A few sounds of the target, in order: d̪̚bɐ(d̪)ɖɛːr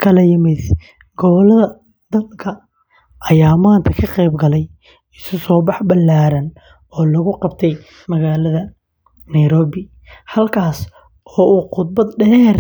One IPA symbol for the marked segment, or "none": d̪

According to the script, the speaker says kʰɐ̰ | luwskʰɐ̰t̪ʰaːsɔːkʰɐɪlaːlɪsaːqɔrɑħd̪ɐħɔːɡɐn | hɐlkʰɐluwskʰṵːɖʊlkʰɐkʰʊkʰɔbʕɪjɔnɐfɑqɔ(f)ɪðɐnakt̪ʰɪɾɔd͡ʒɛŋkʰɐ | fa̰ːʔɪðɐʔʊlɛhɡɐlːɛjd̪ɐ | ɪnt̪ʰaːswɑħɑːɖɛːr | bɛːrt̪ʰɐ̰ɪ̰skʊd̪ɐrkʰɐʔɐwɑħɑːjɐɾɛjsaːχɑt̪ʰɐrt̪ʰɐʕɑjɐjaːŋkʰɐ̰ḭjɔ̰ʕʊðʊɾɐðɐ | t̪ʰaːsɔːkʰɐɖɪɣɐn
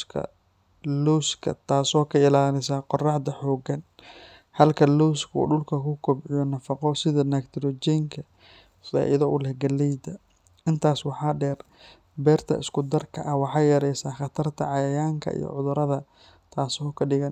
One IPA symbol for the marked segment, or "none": s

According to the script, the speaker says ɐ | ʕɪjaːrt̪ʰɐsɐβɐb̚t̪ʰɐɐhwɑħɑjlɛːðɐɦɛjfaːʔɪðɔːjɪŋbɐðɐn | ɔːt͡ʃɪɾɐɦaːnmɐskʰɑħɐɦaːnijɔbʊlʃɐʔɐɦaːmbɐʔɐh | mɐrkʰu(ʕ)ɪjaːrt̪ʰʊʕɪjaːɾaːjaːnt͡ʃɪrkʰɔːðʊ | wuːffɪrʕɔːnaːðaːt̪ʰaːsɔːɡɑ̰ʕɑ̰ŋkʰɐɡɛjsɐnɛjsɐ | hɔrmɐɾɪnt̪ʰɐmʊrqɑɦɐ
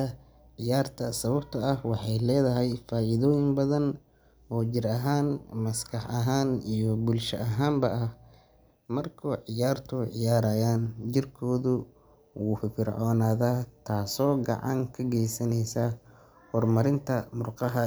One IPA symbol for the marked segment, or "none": ʕ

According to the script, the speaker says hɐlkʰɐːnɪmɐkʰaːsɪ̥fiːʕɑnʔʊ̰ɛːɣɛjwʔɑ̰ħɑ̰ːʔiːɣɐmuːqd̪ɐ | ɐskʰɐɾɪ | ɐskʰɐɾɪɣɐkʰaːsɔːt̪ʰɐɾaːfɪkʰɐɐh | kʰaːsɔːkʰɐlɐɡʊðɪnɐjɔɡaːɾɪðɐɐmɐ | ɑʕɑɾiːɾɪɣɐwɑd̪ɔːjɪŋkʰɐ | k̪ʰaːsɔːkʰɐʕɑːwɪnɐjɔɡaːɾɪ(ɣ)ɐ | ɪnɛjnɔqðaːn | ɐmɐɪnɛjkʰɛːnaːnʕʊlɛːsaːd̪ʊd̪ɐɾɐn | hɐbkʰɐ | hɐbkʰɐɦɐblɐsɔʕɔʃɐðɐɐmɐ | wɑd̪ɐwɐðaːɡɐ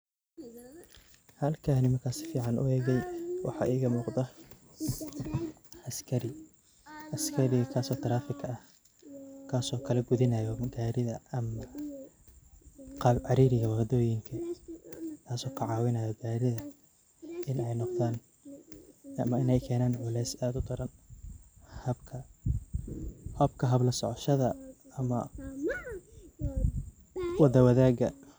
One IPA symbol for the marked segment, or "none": ð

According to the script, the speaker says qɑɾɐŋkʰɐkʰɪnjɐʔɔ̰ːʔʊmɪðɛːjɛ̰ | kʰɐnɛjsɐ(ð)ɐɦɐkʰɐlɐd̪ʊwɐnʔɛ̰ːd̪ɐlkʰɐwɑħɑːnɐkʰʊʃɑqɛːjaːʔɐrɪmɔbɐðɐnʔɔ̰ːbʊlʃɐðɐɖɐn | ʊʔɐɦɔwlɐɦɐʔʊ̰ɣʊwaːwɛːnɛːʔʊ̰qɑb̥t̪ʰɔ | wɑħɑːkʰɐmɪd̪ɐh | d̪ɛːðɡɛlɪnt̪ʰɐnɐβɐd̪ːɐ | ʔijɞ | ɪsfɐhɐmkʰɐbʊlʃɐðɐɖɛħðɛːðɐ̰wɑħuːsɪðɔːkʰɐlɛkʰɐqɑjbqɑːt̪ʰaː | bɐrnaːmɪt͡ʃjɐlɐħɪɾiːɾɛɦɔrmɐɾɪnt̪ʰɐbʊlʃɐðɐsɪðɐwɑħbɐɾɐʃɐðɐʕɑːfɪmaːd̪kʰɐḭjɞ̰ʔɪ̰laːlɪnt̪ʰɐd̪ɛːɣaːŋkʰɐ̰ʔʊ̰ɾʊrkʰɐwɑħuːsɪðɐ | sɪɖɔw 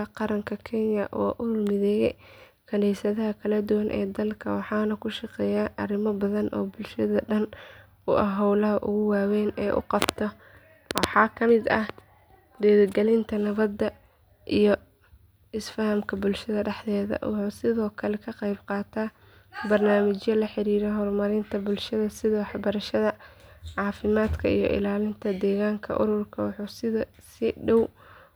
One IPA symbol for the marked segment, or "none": ð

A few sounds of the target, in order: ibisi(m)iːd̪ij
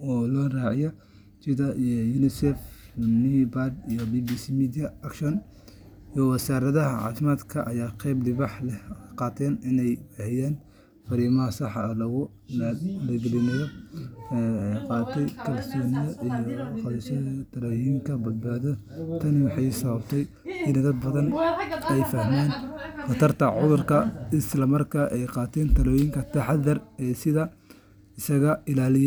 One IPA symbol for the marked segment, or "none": m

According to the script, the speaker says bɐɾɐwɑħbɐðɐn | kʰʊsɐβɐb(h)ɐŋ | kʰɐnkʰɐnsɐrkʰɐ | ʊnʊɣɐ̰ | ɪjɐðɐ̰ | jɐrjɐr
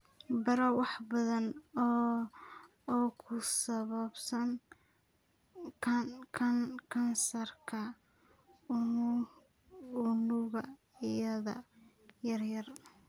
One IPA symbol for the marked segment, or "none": s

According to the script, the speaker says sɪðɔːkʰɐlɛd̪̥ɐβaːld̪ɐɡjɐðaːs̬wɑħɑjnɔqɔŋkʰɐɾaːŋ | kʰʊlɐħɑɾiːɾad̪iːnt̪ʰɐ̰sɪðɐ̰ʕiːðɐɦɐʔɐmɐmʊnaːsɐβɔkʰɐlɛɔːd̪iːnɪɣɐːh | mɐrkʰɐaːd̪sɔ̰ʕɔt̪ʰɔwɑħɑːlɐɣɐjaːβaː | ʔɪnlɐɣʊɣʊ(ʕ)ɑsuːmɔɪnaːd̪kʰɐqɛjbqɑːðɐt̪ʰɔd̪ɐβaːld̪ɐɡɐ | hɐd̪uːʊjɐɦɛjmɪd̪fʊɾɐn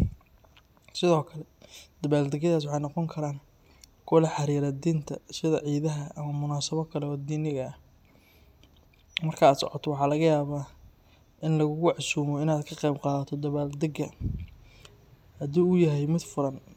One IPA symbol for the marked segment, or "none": ʕ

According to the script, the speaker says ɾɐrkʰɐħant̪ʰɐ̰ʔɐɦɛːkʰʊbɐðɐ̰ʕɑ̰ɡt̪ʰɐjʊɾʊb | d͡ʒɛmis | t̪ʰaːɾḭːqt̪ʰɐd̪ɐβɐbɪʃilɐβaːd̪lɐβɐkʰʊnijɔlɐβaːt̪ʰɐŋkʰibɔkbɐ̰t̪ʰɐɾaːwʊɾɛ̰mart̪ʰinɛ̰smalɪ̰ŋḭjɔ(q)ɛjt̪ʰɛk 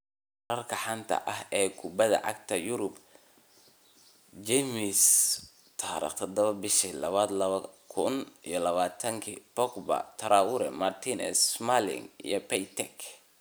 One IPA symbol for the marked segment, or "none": p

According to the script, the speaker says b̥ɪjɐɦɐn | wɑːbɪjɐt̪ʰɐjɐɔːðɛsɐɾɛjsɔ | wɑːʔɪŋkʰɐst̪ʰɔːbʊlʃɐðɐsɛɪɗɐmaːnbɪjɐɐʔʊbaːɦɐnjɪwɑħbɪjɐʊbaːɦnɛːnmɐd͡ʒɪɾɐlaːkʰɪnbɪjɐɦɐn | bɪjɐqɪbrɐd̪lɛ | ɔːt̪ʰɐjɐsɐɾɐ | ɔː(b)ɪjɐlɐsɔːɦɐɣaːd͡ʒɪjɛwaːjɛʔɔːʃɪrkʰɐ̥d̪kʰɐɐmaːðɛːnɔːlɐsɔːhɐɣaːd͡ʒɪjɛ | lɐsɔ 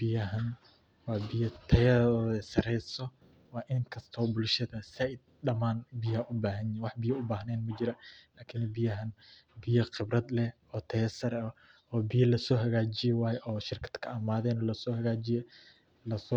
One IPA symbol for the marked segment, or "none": b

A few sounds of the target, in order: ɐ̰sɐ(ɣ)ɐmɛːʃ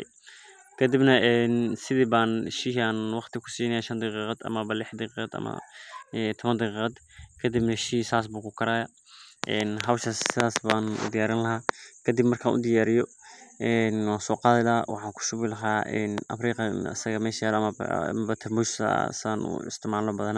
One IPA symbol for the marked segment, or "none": ɣ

